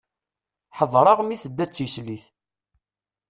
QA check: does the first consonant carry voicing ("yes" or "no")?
no